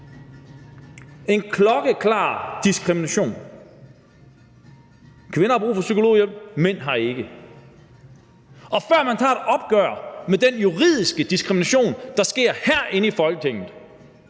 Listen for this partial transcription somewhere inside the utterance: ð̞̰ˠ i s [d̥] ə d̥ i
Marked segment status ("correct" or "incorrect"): incorrect